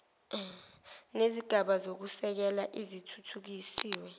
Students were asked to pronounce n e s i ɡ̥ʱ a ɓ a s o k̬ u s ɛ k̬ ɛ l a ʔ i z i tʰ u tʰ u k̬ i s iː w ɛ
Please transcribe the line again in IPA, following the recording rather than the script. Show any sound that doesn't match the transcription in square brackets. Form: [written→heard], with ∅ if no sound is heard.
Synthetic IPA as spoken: n e [s→z] i ɡ̥ʱ a ɓ a [s→z] o k̬ u s ɛ k̬ ɛ l a ʔ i z i tʰ u tʰ u k̬ i s iː w ɛ